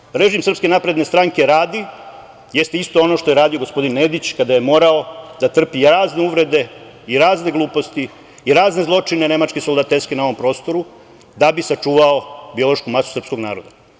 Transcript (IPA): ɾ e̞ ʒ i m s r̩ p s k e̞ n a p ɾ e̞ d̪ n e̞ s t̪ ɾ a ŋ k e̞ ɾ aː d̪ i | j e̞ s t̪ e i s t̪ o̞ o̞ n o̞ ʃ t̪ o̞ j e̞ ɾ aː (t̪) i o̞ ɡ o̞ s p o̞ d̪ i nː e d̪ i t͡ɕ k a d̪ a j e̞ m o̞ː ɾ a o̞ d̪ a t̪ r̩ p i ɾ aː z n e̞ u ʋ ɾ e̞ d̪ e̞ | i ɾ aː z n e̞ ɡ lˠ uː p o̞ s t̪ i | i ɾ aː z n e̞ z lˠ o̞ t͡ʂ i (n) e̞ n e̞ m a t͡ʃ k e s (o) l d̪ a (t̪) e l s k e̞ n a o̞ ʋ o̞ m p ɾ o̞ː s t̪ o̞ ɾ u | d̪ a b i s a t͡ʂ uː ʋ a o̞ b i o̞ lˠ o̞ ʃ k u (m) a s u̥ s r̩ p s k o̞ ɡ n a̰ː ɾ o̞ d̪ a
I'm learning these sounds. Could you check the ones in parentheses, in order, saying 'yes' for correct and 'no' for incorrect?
no, yes, yes, yes, yes

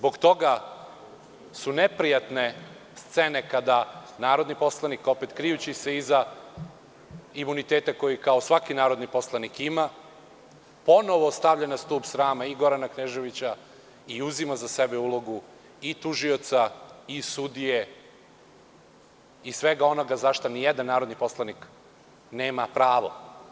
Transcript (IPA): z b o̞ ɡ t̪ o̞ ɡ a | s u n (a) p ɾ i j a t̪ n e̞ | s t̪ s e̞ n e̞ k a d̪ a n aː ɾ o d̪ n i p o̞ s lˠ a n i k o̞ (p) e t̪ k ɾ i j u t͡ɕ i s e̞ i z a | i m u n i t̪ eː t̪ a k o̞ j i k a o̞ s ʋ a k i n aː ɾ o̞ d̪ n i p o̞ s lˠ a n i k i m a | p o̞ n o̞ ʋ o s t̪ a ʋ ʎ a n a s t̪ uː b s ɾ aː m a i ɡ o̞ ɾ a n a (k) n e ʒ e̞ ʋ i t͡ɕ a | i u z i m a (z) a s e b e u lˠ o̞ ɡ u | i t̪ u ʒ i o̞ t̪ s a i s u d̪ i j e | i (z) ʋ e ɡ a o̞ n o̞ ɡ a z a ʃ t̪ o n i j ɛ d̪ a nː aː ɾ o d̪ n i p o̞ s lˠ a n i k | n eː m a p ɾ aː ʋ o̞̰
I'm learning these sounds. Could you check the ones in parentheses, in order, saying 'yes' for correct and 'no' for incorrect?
no, yes, yes, yes, no

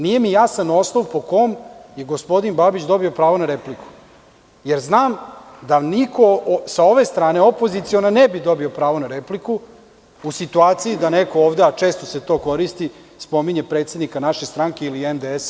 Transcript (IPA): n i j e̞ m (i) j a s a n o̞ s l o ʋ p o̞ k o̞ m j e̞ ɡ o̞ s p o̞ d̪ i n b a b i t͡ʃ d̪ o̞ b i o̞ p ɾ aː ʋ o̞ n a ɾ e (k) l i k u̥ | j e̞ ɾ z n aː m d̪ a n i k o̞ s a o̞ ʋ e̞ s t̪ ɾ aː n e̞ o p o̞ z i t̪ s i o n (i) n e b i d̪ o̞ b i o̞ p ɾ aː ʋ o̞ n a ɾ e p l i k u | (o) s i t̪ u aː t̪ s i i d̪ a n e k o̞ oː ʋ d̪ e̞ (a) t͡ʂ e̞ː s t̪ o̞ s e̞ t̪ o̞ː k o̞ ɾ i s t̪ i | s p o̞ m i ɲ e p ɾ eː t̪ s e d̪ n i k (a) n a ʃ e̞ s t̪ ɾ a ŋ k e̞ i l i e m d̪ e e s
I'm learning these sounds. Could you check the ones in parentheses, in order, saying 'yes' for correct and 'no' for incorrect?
yes, no, no, no, yes, yes

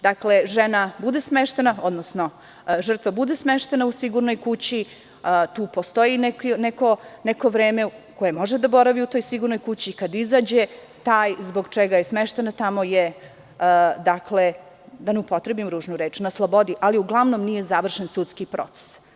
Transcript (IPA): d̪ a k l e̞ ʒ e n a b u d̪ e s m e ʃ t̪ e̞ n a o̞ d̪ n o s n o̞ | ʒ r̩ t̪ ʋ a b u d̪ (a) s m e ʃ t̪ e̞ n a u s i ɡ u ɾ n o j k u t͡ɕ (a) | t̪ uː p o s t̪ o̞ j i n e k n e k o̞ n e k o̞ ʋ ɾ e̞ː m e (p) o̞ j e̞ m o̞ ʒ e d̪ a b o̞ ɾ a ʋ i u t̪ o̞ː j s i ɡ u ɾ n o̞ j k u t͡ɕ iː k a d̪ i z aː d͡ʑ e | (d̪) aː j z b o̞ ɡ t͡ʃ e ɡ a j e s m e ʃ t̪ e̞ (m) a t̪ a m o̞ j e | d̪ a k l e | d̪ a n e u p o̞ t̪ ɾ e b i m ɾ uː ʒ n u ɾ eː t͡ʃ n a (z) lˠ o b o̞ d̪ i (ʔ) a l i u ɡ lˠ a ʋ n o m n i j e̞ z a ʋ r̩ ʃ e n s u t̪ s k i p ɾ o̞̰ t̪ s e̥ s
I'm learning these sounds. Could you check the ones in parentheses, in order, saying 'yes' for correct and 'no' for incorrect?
no, no, no, no, no, no, yes

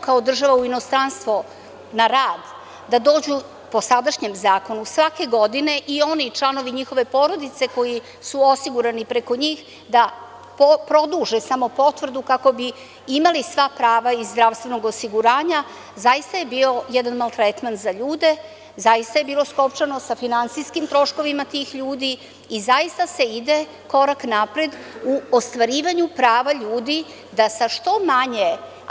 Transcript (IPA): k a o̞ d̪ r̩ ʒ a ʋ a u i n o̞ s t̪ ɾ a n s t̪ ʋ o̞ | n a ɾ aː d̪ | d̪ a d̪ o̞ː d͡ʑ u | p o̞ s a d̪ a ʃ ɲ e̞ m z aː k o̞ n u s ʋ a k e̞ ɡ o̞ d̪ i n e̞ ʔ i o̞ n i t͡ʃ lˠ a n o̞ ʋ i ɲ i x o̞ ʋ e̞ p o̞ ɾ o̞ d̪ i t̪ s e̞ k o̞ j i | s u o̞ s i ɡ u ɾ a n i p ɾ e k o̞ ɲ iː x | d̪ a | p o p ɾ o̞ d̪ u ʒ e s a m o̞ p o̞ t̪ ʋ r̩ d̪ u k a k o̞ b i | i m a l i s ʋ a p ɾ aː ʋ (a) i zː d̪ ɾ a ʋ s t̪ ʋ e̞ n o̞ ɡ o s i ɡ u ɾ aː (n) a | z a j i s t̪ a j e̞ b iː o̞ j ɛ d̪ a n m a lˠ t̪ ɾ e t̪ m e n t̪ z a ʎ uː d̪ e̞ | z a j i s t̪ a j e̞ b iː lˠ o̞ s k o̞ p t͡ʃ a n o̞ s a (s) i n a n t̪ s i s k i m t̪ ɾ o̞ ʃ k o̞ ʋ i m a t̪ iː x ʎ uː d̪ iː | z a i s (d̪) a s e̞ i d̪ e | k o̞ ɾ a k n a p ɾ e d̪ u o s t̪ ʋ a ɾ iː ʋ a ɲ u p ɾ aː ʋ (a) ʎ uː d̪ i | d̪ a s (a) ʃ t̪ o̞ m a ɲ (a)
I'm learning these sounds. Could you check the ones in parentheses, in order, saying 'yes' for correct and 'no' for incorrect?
yes, no, no, no, yes, yes, no

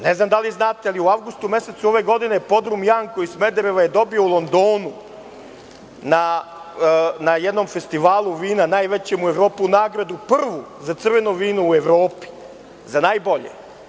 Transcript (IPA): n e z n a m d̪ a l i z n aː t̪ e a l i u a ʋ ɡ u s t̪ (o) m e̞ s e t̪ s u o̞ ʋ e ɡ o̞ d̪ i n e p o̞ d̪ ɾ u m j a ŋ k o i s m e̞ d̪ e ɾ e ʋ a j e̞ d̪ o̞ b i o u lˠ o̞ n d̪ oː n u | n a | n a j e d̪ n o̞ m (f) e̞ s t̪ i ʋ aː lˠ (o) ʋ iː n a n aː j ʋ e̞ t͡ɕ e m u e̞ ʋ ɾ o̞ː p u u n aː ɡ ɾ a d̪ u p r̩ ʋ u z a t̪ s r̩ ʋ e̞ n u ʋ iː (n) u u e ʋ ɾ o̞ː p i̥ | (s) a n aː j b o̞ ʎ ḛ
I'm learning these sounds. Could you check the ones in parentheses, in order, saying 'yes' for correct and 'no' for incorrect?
no, yes, no, yes, no

